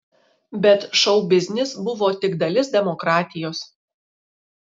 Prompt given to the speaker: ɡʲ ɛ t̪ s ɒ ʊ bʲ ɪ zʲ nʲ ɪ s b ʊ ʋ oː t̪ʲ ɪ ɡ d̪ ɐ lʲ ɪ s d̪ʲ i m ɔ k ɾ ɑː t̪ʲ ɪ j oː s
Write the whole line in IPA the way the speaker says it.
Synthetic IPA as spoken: bʲ ɛ t̪ ʃ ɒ ʊ bʲ ɪ zʲ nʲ ɪ s b ʊ ʋ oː t̪ʲ ɪ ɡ d̪ ɐ lʲ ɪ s d̪ʲ ɛ m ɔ k ɾ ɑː t̪ʲ ɪ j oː s